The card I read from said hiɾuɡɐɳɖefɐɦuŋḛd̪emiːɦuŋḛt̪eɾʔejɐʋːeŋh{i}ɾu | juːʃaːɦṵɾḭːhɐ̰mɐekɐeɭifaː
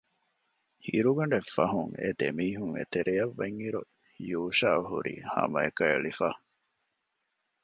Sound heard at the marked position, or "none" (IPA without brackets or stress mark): i